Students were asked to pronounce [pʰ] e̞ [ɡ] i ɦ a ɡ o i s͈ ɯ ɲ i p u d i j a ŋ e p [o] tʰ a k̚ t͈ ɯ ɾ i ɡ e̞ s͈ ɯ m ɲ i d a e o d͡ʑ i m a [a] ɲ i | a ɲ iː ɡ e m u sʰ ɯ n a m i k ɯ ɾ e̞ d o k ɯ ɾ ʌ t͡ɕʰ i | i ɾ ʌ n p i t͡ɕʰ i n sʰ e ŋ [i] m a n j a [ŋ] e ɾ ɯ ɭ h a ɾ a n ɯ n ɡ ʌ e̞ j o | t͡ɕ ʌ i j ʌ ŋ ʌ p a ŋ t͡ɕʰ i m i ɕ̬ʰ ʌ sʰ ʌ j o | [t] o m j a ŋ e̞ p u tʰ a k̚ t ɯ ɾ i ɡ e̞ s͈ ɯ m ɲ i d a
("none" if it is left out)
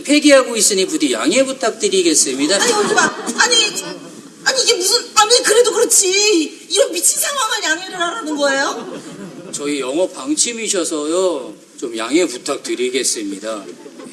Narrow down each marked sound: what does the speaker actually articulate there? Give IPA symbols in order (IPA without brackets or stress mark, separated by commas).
pʰ, ɡ, u, a, a, ŋ, t͡ɕ